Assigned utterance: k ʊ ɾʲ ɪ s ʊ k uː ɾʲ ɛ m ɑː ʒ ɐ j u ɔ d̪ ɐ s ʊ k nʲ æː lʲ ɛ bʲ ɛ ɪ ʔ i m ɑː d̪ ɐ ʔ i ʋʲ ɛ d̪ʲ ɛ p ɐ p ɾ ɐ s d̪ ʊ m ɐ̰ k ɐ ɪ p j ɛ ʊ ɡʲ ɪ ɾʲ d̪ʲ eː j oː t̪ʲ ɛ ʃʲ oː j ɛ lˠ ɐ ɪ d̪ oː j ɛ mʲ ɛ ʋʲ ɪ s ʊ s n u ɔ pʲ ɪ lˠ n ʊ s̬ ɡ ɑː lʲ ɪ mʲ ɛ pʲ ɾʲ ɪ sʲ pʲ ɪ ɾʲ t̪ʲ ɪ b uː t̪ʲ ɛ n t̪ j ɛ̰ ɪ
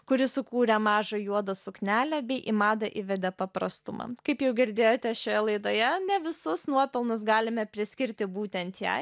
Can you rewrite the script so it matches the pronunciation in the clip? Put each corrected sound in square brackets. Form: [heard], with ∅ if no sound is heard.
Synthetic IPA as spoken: k ʊ ɾʲ ɪ s ʊ k uː ɾʲ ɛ m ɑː ʒ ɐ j u ɔ d̪ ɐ s ʊ k nʲ æː lʲ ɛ bʲ ɛ ɪ ʔ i m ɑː d̪ ɐ ʔ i ʋʲ ɛ d̪ʲ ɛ p ɐ p ɾ ɐ s [t̪] ʊ m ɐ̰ k ɐ ɪ p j ɛ ʊ ɡʲ ɪ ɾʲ d̪ʲ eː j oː t̪ʲ ɛ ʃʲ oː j ɛ lˠ ɐ ɪ d̪ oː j ɛ [nʲ] ɛ ʋʲ ɪ s ʊ s n u ɔ pʲ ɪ lˠ n ʊ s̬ ɡ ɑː lʲ ɪ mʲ ɛ pʲ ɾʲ ɪ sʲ [kʲ] ɪ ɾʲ t̪ʲ ɪ b uː t̪ʲ ɛ n t̪ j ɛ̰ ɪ